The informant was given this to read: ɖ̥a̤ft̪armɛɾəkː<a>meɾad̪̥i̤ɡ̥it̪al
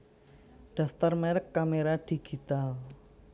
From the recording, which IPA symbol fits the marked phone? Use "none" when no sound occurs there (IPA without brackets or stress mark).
a